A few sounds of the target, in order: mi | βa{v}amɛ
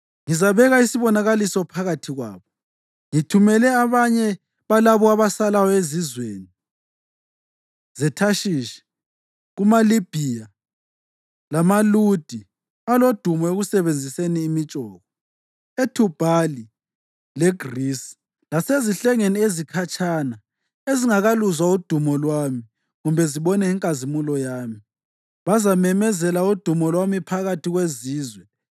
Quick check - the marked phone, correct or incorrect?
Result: incorrect